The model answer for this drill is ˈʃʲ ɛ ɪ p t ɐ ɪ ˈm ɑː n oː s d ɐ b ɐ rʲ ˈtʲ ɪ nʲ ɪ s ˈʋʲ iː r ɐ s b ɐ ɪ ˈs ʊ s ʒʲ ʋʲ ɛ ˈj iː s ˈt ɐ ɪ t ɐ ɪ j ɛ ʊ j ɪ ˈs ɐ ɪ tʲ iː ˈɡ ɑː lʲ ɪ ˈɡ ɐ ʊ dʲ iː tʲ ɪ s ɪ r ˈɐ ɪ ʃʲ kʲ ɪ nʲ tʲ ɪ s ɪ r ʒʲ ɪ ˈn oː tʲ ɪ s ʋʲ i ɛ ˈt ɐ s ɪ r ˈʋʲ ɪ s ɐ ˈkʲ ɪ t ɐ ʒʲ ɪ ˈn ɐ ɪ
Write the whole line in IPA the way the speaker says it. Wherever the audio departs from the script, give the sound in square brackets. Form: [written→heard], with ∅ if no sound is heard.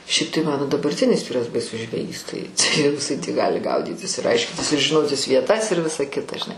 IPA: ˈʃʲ ɛ ɪ p t ɐ ɪ ˈm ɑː n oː [s→∅] d ɐ b ɐ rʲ ˈtʲ ɪ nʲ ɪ s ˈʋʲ iː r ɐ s b ɐ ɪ ˈs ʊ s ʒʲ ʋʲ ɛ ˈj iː s ˈt ɐ ɪ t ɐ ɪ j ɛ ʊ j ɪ ˈs ɐ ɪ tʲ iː ˈɡ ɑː lʲ ɪ ˈɡ ɐ ʊ dʲ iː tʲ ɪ s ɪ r ˈɐ ɪ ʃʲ kʲ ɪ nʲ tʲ ɪ s ɪ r ʒʲ ɪ ˈn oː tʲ ɪ s ʋʲ i ɛ ˈt ɐ s ɪ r ˈʋʲ ɪ s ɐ ˈkʲ ɪ t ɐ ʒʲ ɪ ˈn ɐ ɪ